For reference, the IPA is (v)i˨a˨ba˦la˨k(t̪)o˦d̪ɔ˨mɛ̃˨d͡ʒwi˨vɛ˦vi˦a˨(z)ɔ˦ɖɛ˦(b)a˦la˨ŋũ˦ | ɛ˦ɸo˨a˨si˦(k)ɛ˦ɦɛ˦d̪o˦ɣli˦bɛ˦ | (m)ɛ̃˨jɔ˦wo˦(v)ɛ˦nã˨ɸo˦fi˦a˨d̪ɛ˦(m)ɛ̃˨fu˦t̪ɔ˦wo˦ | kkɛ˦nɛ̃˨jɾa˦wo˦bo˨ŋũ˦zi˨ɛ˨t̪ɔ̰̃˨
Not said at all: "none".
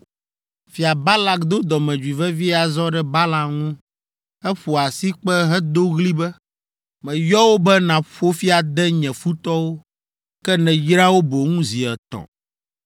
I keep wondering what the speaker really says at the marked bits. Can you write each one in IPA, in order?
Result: f, d̪, z, b, k͡p, m, b, ɲ

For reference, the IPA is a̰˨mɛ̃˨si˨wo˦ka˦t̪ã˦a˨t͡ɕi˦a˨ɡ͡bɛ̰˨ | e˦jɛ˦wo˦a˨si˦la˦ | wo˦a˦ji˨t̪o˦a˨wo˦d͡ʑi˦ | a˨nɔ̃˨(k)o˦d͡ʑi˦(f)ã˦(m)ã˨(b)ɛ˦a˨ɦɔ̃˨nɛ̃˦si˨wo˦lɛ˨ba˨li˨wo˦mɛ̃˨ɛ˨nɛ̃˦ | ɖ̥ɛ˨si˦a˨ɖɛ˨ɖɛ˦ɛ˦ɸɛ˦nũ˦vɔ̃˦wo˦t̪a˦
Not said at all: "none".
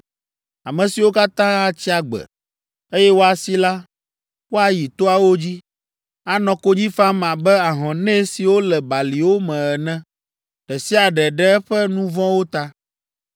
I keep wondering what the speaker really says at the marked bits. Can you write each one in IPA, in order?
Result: k, f, m, b

